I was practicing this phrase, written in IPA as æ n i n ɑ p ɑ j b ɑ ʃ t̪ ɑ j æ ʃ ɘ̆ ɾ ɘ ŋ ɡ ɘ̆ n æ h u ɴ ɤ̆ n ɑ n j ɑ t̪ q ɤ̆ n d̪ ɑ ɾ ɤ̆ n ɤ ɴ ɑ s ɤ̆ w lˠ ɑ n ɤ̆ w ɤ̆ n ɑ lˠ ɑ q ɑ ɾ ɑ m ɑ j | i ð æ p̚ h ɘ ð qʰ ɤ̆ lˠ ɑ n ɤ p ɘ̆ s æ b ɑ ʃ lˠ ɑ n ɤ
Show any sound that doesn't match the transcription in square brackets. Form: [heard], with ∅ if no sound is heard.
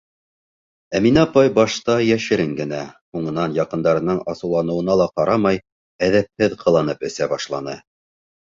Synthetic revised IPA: æ [m] i n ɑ p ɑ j b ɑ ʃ t̪ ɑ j æ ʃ ɘ̆ ɾ ɘ ŋ ɡ ɘ̆ n æ h u ɴ ɤ̆ n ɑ n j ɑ [∅] q ɤ̆ n d̪ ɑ ɾ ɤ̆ n ɤ ɴ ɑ s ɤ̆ w lˠ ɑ n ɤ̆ w ɤ̆ n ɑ lˠ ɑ q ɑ ɾ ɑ m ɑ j | [æ] ð æ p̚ h ɘ ð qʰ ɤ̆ lˠ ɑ n ɤ p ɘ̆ s æ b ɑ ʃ lˠ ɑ n ɤ